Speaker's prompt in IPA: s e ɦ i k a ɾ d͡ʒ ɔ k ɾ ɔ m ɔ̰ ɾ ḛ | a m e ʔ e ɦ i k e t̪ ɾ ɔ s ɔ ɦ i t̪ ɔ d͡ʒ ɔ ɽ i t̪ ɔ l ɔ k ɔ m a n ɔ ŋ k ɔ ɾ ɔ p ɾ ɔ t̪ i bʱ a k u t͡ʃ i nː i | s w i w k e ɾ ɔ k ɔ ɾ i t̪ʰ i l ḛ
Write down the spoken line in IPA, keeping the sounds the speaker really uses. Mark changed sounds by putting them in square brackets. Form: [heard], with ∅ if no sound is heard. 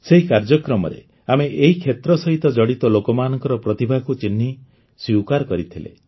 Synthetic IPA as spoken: s e ɦ i k a ɾ d͡ʒ ɔ k ɾ ɔ m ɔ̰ ɾ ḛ | a m e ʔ e ɦ i [kʰ] e t̪ ɾ ɔ s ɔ ɦ i t̪ ɔ d͡ʒ ɔ ɽ i t̪ ɔ l [o] k ɔ m a n ɔ ŋ k ɔ ɾ ɔ p ɾ ɔ t̪ i bʱ a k u t͡ʃ i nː i | s w i w k [a] ɾ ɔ k ɔ ɾ i t̪ʰ i l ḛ